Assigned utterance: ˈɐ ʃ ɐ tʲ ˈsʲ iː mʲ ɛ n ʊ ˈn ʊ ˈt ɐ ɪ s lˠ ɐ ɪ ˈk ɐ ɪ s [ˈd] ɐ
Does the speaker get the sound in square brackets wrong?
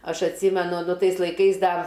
no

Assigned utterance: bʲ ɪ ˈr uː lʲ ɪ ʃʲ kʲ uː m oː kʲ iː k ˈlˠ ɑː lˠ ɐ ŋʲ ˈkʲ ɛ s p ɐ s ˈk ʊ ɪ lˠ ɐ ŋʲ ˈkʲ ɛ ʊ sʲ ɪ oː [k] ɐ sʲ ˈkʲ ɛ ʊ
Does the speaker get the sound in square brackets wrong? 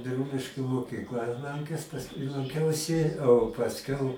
yes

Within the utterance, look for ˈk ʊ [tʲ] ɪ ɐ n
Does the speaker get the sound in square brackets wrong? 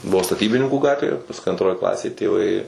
yes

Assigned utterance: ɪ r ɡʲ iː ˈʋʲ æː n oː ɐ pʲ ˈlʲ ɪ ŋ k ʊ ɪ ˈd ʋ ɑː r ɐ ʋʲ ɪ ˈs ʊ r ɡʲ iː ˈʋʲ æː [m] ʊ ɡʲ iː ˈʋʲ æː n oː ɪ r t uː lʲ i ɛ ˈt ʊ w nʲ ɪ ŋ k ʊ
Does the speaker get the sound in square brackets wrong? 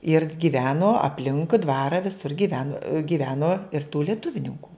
yes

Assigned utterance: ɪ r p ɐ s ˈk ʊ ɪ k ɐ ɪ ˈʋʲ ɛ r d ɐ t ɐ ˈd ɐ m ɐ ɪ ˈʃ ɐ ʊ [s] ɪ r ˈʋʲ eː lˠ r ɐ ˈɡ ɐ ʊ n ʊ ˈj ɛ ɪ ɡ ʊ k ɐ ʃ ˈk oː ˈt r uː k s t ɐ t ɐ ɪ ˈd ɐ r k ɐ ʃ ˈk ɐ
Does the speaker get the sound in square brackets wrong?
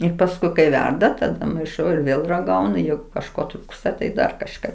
yes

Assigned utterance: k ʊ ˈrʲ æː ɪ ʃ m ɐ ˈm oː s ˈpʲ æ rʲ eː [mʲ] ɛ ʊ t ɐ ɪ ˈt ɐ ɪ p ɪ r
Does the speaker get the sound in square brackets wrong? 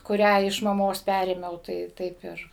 no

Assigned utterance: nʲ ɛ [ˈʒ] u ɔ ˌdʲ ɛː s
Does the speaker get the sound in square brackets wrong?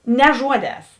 no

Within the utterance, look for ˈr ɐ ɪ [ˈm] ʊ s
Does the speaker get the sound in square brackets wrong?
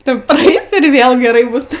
yes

